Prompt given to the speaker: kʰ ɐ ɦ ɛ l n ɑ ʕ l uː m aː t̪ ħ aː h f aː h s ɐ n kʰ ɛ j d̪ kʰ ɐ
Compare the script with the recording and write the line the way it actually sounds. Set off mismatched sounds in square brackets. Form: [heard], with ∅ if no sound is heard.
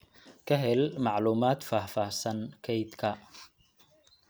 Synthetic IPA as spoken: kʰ ɐ ɦ ɛ l [m] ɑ ʕ l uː m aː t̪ [f] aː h f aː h s ɐ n kʰ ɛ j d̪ kʰ ɐ